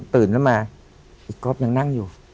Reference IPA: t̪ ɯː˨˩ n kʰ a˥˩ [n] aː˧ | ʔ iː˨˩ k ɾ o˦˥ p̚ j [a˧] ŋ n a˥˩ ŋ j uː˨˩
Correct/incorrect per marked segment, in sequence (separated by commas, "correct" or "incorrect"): incorrect, correct